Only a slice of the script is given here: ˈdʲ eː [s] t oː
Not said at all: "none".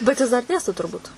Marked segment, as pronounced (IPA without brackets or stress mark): s